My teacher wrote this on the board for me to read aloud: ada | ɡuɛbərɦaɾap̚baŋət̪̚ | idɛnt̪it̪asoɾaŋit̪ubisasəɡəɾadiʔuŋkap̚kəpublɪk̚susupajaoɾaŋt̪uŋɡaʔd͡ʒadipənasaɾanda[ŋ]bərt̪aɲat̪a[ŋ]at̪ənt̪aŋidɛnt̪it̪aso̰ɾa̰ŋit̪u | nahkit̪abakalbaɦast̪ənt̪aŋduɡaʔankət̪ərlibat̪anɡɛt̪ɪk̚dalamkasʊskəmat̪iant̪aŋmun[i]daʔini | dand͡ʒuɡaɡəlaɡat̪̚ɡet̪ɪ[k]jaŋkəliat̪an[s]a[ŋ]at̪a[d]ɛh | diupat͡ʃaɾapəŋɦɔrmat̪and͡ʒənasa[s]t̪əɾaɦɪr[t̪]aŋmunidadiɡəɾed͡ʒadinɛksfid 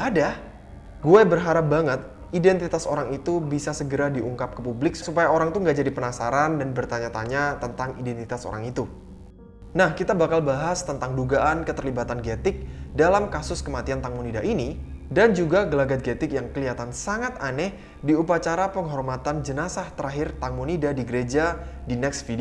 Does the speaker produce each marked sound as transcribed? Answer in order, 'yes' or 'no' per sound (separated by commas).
no, no, yes, yes, yes, yes, no, no, yes